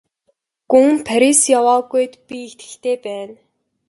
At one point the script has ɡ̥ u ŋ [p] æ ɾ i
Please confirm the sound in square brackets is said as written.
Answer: no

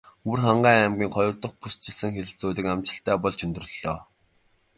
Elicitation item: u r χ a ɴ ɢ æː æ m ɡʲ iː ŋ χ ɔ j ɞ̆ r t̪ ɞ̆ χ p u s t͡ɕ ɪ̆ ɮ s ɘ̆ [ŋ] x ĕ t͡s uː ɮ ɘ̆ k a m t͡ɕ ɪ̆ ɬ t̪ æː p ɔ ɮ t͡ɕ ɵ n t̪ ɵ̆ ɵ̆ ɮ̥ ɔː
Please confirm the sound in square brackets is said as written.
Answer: yes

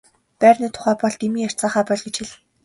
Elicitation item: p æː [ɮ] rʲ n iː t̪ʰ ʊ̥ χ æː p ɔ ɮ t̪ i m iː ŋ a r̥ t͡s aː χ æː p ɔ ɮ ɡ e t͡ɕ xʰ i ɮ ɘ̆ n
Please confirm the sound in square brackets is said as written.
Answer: no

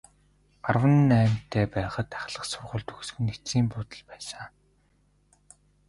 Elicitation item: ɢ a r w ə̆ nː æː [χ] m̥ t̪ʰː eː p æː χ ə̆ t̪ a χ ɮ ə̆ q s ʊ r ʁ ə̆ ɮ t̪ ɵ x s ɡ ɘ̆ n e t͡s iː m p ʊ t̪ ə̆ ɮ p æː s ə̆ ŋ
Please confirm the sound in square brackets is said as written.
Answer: no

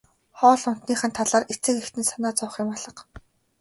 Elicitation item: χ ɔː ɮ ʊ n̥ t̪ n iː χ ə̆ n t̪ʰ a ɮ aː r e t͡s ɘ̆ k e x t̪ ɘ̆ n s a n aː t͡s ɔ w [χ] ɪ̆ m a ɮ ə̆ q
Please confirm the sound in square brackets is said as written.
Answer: yes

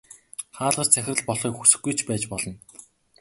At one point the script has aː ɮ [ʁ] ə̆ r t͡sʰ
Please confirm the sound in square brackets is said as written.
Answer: yes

